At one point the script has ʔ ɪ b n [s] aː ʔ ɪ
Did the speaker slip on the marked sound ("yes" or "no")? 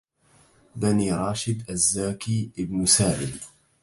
no